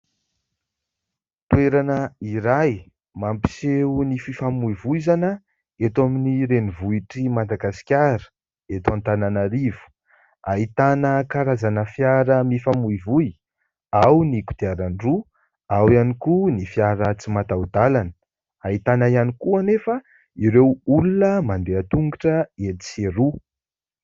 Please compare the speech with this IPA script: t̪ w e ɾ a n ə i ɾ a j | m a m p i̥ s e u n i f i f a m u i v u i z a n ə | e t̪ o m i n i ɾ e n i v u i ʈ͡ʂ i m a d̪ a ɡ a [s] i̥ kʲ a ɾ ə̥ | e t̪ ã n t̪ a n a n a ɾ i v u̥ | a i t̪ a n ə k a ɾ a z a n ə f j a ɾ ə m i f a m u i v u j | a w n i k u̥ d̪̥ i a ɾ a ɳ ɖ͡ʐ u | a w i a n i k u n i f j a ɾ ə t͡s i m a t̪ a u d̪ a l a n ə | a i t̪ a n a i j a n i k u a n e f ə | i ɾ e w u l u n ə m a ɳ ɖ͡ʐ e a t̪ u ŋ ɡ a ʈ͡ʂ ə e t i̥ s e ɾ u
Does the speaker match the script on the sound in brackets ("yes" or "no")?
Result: yes